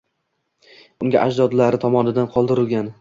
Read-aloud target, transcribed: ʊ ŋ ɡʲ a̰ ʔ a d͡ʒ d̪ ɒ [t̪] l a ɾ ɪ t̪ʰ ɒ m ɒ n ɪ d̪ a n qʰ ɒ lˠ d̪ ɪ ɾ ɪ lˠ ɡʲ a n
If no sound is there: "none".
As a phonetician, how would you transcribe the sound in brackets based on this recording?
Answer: d̪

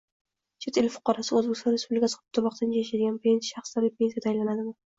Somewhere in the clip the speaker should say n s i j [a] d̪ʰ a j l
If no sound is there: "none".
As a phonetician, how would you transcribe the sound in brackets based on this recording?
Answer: a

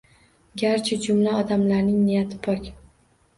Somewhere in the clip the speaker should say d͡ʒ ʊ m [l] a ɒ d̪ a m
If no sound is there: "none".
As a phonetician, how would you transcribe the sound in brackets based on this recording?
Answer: l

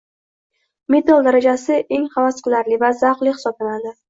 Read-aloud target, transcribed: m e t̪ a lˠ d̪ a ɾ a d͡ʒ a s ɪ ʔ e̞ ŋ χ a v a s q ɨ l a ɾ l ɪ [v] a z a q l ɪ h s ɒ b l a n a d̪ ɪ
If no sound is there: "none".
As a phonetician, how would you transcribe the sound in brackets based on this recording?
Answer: v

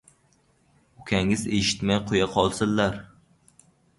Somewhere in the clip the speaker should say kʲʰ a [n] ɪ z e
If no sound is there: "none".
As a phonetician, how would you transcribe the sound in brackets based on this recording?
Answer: ŋ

